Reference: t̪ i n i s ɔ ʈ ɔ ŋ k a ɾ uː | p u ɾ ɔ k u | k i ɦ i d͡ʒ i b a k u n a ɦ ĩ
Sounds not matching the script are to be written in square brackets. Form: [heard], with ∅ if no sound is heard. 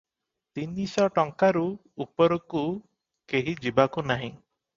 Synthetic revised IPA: t̪ i n i s ɔ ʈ ɔ ŋ k a ɾ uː | p [ɔ] ɾ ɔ k u | k [e] ɦ i d͡ʒ i b a k u n a ɦ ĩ